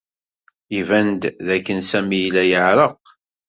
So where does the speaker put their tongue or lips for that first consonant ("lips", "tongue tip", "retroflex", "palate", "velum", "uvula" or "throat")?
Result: lips